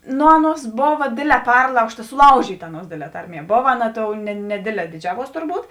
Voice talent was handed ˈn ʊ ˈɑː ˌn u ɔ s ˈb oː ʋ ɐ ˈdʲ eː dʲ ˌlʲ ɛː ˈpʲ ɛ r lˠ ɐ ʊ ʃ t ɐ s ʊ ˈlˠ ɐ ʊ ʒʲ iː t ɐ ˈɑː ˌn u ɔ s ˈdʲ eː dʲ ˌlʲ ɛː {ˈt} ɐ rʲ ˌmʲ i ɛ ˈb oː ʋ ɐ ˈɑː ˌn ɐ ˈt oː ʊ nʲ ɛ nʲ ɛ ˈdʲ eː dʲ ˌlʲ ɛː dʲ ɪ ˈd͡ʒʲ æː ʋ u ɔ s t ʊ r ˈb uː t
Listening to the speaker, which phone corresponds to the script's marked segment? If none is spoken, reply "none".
t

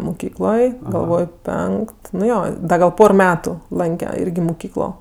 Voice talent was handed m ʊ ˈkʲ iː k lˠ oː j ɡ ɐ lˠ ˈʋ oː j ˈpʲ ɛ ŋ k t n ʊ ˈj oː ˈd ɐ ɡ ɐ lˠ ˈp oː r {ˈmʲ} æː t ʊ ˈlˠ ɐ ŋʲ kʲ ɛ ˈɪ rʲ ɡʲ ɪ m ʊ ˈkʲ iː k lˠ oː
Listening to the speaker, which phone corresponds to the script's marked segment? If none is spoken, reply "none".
mʲ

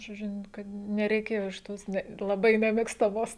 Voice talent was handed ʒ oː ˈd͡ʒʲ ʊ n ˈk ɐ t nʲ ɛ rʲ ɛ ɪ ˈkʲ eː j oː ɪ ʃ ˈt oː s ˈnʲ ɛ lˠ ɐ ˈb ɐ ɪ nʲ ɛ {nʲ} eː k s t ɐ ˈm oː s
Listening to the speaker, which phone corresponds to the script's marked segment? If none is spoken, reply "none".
mʲ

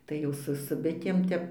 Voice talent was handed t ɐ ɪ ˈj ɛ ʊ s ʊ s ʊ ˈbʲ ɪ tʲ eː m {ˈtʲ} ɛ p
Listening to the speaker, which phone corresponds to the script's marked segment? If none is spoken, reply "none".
tʲ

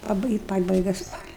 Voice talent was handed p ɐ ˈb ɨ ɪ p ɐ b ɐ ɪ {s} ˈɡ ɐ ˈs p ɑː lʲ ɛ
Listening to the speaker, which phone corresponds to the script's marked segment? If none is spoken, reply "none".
none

